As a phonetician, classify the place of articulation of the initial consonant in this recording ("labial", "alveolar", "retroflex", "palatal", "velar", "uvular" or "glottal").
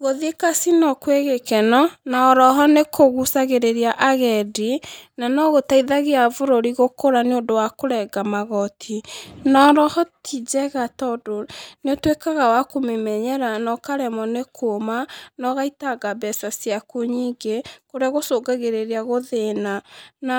velar